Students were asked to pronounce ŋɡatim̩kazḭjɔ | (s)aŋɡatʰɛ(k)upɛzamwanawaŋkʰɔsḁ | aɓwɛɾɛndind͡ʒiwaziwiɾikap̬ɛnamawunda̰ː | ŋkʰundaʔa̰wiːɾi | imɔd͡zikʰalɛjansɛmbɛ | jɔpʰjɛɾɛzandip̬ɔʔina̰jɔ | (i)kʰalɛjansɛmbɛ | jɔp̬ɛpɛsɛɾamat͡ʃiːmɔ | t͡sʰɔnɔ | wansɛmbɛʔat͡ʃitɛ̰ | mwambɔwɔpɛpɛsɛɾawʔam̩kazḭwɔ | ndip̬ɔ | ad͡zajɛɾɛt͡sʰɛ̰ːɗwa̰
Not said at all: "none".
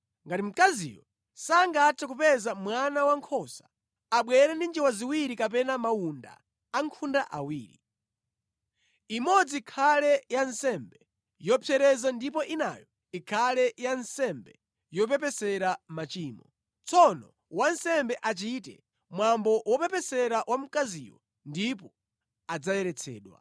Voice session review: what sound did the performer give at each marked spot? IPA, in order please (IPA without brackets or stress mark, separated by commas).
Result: s, k, i